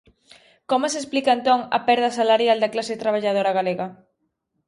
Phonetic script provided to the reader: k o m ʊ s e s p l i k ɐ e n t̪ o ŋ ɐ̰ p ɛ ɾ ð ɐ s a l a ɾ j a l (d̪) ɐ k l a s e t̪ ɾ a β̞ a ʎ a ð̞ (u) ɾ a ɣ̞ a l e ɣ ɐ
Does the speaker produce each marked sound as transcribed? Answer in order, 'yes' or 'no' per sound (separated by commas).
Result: yes, no